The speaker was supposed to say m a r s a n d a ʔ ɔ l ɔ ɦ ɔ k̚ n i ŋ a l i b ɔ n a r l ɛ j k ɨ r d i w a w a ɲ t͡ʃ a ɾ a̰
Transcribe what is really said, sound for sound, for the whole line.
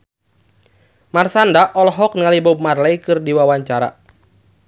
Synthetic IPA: m a r s a n d a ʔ ɔ l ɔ ɦ ɔ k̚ n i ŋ a l i b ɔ m a r l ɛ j k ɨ r d i w a w a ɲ t͡ʃ a ɾ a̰

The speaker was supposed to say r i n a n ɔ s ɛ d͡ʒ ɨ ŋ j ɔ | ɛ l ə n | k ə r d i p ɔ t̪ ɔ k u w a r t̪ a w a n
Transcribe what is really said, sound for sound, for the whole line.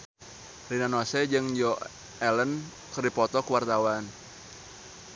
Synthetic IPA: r i n a n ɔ s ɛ d͡ʒ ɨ ŋ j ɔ | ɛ l ə n | k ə r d i p ɔ t̪ ɔ k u w a r t̪ a w a n

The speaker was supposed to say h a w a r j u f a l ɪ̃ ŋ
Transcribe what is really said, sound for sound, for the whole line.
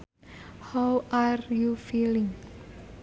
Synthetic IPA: h a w a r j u f i l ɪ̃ ŋ

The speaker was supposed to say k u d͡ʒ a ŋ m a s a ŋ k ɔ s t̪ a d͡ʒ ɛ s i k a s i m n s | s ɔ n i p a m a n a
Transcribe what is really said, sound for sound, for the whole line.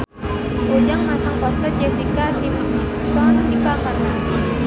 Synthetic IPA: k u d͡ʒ a ŋ m a s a ŋ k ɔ s t̪ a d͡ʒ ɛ s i k a s i m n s | s ɔ n i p a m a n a

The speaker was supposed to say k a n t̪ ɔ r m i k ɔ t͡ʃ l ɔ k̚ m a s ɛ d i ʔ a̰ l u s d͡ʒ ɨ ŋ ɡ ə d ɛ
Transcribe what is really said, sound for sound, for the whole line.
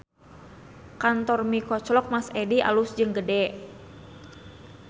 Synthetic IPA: k a n t̪ ɔ r m i k ɔ t͡ʃ l ɔ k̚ m a s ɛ d i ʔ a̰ l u s d͡ʒ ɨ ŋ ɡ ə d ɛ

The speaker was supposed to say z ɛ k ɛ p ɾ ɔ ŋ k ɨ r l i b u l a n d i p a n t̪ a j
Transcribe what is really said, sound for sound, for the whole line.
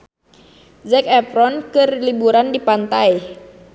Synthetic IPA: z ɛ k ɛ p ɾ ɔ n k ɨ r l i b u ɾ a n d i p a n t̪ a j

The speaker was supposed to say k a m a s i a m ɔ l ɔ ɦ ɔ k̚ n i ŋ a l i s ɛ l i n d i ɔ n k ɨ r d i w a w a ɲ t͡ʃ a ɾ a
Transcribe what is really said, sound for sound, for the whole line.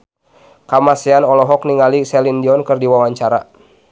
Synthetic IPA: k a m a s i a n ɔ l ɔ ɦ ɔ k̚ n i ŋ a l i s ɛ l i n d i ɔ n k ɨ r d i w a w a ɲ t͡ʃ a ɾ a

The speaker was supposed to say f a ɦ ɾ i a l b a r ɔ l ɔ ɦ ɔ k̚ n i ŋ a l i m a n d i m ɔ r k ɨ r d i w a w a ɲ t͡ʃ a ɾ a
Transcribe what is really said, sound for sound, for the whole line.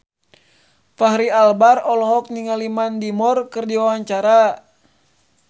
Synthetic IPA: f a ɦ ɾ i a l b a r ɔ l ɔ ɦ ɔ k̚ n i ŋ a l i m a n d i m ɔ r k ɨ r d i w a w a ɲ t͡ʃ a ɾ a

